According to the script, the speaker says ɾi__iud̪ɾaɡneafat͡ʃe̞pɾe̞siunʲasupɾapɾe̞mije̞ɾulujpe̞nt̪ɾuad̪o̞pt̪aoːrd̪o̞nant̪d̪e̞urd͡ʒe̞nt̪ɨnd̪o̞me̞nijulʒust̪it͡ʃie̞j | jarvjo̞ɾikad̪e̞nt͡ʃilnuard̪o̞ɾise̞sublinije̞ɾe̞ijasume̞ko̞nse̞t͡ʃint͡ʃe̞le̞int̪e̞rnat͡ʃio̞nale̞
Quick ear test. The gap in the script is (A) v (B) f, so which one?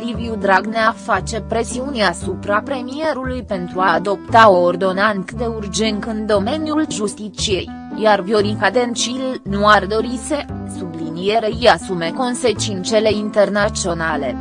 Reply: A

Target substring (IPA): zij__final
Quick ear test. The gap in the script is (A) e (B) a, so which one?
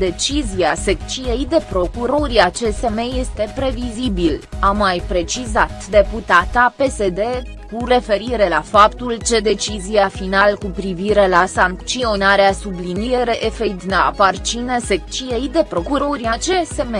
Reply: B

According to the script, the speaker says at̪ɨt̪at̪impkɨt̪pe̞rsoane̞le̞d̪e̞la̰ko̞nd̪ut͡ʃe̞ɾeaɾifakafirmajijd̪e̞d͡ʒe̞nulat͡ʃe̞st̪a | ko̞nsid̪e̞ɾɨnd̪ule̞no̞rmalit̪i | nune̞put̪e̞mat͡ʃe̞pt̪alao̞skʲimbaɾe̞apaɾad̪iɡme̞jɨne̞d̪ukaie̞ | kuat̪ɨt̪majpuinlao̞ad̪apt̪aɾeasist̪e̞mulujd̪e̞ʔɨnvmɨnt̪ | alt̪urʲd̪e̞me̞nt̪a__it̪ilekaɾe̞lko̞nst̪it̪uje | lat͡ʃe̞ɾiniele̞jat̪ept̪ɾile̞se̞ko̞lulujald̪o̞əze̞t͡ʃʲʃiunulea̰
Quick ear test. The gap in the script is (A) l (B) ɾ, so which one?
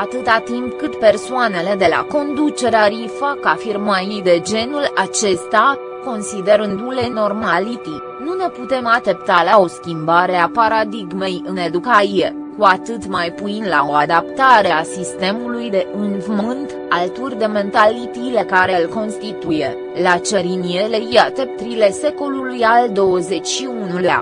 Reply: A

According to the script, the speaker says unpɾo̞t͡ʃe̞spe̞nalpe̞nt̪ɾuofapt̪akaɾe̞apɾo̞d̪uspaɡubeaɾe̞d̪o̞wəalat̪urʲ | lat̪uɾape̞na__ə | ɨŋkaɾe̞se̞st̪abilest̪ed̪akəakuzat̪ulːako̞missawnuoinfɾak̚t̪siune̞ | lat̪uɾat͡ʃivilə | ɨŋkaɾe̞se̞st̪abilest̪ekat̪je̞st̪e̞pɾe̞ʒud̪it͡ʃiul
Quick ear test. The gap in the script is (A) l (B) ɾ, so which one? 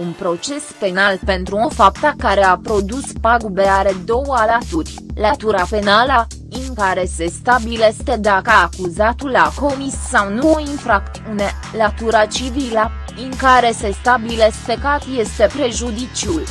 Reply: A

